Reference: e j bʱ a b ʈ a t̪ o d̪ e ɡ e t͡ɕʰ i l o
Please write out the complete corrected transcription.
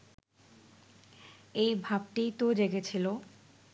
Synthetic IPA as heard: e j bʱ a b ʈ i t̪ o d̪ e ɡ e t͡ɕʰ i l o